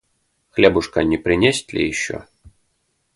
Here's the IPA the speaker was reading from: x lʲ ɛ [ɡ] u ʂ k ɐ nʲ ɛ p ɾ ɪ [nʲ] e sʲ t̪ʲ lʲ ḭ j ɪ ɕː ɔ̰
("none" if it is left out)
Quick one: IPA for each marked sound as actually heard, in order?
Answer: b, nʲ

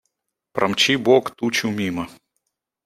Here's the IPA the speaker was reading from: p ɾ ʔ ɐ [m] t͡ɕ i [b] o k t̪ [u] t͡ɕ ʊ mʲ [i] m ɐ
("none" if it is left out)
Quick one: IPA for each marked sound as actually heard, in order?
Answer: m, b, u, i

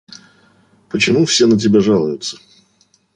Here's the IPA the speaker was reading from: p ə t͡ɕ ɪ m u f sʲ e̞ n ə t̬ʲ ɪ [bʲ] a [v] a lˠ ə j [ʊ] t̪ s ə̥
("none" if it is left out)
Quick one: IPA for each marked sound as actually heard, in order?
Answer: bʲ, ʐ, ʊ

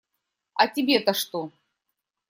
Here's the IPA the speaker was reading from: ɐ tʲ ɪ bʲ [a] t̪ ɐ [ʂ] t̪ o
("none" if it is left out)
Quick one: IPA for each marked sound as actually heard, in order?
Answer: e, ʂ

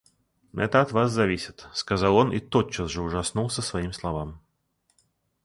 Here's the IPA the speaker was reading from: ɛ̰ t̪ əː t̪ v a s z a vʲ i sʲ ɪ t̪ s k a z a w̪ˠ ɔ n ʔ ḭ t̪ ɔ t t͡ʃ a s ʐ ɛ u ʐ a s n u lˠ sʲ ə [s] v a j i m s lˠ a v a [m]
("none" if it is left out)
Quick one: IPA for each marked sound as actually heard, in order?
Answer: s, m

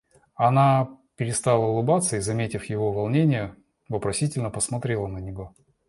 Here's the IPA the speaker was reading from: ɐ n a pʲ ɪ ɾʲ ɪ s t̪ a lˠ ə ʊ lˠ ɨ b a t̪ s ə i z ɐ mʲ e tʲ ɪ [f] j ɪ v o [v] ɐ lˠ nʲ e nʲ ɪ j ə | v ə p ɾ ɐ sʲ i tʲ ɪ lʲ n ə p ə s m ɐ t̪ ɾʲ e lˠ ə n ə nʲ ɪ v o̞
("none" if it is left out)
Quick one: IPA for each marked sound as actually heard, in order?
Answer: f, v

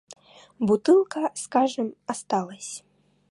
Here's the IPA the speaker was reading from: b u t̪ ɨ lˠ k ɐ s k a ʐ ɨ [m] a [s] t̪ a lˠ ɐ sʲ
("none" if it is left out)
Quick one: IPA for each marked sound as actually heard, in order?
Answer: m, s

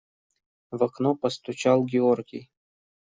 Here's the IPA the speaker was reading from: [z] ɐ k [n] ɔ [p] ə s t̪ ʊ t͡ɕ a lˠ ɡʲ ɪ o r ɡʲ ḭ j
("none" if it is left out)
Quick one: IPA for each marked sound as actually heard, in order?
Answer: v, n, p

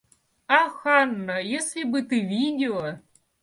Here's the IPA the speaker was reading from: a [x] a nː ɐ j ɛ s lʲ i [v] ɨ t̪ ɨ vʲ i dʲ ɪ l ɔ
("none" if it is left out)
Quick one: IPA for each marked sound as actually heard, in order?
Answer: x, b

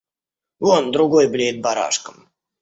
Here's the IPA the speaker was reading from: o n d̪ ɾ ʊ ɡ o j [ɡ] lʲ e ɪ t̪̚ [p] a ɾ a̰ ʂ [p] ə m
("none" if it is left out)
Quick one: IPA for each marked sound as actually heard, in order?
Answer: b, b, k

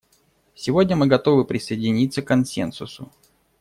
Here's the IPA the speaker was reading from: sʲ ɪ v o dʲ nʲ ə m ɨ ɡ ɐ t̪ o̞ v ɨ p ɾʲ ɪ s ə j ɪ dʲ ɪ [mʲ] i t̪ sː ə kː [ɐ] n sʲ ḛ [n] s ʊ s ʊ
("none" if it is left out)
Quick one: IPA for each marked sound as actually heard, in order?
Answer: nʲ, ɐ, n

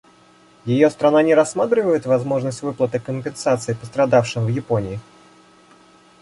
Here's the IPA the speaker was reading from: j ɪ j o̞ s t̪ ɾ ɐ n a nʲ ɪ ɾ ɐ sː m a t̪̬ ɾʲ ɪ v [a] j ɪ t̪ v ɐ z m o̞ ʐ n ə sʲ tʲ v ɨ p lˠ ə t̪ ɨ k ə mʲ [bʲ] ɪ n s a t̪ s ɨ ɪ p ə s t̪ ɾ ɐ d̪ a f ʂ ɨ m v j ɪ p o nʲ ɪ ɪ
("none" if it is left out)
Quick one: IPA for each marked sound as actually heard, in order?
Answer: ə, pʲ

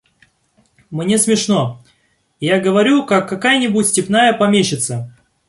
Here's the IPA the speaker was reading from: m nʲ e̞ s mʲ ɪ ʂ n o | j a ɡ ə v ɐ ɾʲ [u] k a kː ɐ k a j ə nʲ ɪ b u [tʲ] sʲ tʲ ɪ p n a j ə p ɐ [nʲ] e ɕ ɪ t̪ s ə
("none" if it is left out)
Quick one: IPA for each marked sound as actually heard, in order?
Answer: u, tʲ, mʲ

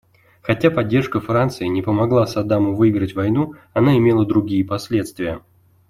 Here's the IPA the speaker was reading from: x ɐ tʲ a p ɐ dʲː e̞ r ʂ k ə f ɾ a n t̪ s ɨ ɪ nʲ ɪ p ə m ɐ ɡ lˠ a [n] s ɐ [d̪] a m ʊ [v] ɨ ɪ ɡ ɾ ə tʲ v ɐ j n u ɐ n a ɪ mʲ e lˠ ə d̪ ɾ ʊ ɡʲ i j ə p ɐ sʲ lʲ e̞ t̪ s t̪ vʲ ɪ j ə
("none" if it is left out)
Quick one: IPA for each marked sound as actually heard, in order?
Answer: none, d̪, v

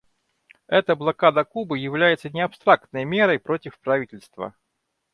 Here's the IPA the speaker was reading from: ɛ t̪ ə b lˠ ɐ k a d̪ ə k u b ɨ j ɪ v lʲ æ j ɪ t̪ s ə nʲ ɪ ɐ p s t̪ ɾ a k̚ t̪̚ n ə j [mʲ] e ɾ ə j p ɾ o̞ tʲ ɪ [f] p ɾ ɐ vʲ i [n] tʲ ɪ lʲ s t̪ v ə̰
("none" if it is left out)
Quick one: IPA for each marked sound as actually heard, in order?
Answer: mʲ, f, none

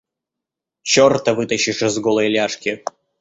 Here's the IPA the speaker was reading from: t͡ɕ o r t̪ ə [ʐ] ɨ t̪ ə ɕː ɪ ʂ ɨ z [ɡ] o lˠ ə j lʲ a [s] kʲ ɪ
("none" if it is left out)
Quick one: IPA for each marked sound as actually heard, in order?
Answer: v, ɡ, ʂ

